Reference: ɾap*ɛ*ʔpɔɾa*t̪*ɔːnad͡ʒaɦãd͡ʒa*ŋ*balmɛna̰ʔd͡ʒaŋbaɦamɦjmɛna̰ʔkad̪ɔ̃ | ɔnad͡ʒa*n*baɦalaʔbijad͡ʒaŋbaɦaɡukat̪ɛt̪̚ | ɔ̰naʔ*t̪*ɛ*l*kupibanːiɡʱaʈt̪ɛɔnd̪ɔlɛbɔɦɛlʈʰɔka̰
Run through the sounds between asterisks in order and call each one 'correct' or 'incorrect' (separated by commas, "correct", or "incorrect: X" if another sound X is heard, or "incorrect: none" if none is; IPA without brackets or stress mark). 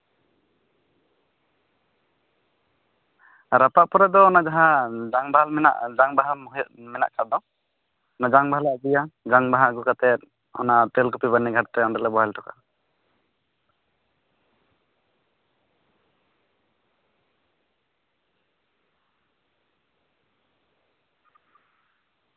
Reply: incorrect: a, incorrect: d̪, correct, incorrect: ŋ, correct, correct